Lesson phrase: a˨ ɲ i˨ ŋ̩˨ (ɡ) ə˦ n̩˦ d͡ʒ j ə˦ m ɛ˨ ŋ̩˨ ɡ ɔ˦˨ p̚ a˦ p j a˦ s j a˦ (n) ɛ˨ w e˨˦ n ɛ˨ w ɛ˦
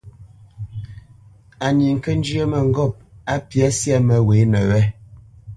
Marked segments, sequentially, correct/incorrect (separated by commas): incorrect, incorrect